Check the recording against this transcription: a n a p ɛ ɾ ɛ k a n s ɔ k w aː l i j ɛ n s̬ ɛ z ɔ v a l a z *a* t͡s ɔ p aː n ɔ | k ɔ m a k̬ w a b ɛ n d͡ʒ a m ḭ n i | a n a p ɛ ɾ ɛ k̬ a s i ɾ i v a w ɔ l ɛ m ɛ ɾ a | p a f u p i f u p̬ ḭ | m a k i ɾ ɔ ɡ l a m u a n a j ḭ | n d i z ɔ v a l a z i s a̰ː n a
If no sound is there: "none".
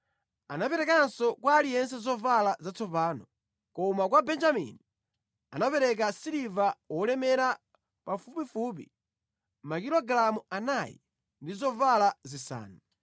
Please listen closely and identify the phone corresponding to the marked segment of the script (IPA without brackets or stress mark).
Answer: a